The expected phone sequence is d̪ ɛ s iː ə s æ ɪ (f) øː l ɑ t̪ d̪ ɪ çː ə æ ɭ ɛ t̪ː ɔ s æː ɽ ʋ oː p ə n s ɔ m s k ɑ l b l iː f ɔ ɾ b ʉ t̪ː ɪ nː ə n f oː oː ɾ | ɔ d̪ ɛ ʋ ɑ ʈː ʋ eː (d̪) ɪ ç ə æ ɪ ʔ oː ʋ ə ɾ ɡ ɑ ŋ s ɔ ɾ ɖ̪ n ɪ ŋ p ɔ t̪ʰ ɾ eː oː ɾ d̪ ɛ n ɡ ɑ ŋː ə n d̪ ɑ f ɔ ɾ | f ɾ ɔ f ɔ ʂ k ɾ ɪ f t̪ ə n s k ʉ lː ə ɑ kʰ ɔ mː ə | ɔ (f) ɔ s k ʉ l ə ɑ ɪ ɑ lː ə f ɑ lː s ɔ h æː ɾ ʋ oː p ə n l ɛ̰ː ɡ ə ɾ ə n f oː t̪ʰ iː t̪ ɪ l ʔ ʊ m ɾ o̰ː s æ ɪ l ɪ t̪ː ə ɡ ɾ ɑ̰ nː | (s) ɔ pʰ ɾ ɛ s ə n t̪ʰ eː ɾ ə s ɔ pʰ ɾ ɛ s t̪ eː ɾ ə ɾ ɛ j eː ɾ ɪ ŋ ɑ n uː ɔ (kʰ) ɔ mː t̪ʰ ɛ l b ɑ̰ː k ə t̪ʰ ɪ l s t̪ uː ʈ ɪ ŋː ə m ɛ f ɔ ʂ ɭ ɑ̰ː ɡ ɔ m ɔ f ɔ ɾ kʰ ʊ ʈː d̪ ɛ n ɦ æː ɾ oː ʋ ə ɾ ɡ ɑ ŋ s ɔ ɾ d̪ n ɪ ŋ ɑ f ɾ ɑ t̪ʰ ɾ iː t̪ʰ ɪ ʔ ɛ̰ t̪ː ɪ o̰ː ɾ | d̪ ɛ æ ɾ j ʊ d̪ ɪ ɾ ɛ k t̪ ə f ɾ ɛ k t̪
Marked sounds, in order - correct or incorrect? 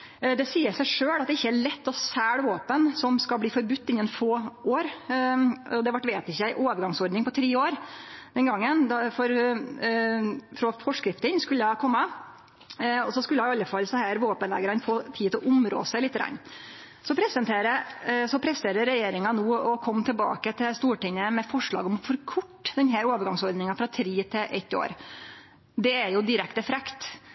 incorrect, incorrect, incorrect, correct, correct

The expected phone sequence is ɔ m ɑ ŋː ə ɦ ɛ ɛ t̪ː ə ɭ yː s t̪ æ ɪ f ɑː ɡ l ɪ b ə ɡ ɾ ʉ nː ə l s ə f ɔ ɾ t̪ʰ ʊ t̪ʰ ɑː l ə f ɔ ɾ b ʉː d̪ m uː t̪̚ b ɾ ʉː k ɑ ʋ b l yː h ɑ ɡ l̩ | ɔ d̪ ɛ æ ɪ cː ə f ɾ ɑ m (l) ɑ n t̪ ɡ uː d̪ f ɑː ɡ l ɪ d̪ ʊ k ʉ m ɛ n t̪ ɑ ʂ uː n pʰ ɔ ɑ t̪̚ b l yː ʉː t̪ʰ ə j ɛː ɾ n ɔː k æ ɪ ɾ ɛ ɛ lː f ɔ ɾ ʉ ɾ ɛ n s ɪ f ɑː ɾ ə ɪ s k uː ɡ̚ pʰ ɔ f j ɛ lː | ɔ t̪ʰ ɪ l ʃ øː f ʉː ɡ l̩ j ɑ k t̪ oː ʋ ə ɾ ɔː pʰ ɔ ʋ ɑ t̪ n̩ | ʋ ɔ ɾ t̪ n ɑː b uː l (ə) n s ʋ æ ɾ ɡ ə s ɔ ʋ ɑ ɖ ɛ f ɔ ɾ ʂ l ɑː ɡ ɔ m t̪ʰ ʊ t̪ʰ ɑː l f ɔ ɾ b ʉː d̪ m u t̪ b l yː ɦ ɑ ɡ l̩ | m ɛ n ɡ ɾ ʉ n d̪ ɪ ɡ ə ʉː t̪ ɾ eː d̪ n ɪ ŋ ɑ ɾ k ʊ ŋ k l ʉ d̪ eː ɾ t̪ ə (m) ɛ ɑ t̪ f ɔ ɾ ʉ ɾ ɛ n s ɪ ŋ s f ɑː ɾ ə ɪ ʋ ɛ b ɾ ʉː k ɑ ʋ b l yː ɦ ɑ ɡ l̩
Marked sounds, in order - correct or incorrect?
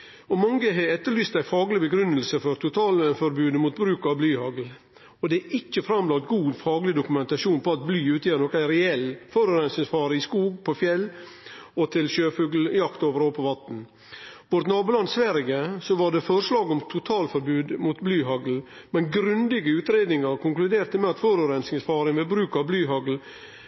correct, incorrect, correct

